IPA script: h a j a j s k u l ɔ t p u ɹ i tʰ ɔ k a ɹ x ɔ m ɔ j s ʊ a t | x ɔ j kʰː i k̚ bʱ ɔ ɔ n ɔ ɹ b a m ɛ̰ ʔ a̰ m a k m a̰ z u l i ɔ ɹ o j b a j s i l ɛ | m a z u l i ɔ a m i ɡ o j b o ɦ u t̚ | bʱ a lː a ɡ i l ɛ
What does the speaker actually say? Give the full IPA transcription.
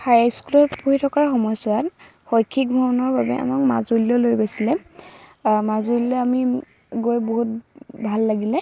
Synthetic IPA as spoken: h a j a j s k u l ɔ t p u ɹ i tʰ ɔ k a ɹ x ɔ m ɔ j s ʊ a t | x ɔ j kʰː i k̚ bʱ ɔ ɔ n ɔ ɹ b a b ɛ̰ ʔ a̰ m a k m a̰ z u l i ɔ l o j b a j s i l ɛ | m a z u l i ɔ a m i ɡ o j b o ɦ u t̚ | bʱ a lː a ɡ i l ɛ